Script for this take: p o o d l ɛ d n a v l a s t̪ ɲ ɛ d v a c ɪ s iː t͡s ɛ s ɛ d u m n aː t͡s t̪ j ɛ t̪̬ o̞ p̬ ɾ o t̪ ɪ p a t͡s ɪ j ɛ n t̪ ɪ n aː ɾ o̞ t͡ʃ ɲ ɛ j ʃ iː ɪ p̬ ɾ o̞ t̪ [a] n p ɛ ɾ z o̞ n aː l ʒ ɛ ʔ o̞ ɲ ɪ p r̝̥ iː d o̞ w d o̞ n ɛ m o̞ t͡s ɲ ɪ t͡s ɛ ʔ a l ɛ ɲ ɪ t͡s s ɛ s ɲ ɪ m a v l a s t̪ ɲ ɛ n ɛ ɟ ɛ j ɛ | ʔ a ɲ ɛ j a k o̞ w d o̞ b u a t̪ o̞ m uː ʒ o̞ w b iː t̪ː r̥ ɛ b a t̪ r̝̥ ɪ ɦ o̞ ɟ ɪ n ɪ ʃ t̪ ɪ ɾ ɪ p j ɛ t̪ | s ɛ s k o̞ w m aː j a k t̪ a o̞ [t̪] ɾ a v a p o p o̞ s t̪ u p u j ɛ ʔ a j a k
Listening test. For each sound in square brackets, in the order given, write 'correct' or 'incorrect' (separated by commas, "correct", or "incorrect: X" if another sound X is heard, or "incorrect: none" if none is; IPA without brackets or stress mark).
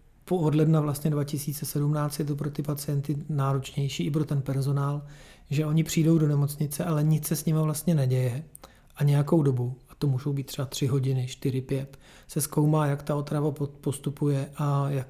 incorrect: ɛ, correct